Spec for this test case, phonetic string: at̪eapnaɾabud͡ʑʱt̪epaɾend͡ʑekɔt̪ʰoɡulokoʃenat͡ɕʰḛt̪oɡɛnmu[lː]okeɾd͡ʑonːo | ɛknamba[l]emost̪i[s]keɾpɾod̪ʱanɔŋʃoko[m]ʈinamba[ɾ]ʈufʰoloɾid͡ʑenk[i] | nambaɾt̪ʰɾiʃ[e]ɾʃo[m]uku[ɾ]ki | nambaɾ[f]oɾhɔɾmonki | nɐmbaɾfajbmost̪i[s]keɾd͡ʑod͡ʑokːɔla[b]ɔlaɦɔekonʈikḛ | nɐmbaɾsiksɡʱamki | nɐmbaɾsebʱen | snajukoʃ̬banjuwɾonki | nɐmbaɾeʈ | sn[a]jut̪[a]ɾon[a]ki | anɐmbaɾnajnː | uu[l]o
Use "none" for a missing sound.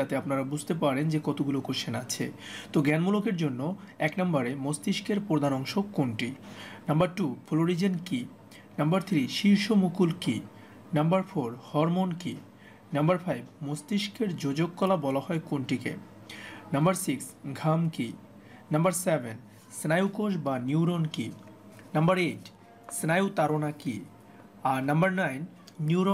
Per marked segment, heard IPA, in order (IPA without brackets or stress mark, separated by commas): l, ɾ, ʃ, ɳ, ɾ, i, i, m, l, f, ʃ, b, a, a, a, ɾ